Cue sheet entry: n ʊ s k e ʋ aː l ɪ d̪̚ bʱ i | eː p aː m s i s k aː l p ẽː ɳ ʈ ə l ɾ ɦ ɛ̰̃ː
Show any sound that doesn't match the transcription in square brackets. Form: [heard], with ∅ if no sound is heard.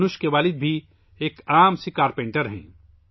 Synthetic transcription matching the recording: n ʊ [ʃ] k e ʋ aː l ɪ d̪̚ bʱ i | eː [k] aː m s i [∅] k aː [ɾ] p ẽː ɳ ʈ ə [∅] ɾ ɦ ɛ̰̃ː